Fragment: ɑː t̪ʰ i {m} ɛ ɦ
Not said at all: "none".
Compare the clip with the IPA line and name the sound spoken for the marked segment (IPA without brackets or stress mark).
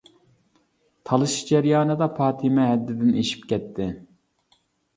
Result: m